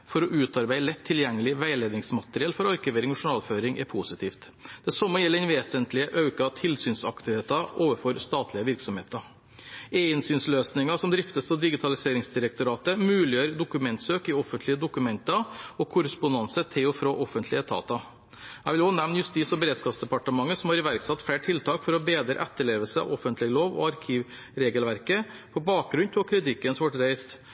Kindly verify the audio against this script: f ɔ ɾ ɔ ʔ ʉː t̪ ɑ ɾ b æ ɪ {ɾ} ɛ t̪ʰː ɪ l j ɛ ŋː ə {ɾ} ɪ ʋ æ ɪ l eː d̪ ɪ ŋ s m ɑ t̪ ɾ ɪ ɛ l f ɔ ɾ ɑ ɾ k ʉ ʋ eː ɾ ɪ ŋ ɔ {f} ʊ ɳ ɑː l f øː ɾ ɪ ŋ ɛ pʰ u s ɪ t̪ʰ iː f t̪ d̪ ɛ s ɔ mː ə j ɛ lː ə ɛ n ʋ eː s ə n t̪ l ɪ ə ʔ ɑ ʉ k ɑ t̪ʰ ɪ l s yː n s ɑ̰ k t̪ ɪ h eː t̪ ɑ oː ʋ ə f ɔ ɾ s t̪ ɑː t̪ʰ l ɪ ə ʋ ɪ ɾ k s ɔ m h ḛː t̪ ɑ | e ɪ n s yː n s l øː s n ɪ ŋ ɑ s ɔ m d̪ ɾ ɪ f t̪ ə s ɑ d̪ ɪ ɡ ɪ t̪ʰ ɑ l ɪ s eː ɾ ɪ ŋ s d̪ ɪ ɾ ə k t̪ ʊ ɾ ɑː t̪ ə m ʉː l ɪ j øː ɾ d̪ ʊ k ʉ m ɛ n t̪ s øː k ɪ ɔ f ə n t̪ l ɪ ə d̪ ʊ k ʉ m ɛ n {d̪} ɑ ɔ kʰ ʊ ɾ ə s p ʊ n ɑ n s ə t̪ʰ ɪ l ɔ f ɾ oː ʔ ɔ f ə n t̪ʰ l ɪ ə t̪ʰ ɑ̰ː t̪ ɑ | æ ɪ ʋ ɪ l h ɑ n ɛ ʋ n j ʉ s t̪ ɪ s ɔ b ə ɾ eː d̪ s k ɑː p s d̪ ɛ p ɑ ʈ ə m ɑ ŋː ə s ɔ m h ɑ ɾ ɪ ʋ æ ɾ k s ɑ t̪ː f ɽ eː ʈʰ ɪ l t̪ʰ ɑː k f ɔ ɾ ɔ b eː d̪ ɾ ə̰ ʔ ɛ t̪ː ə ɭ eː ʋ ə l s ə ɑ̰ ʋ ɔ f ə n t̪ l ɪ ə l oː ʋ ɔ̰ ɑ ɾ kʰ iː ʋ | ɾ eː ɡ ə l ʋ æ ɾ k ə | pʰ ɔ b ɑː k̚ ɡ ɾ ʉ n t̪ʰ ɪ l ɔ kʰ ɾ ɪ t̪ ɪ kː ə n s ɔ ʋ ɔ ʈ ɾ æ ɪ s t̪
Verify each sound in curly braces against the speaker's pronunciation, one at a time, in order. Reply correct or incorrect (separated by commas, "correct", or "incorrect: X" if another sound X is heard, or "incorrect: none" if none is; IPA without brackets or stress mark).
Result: incorrect: l, incorrect: l, incorrect: ʂ, incorrect: t̪